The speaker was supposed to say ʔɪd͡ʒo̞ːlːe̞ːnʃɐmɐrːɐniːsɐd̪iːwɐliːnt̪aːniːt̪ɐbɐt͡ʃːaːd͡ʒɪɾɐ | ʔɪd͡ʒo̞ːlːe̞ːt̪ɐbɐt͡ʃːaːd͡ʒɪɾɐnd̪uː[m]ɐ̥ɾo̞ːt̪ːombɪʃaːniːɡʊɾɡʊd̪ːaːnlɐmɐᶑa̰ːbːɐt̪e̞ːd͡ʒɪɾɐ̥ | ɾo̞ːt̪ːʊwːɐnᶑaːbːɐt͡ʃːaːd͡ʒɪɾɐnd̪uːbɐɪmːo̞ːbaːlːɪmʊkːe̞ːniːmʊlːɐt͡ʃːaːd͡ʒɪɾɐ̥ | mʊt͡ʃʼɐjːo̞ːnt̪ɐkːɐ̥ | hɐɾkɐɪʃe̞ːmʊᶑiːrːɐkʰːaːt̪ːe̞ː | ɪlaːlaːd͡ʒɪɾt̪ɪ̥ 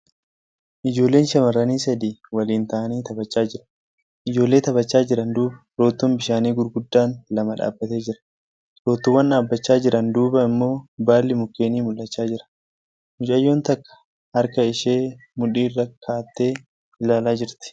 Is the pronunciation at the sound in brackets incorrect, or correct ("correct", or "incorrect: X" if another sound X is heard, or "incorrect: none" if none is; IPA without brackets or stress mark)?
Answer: incorrect: b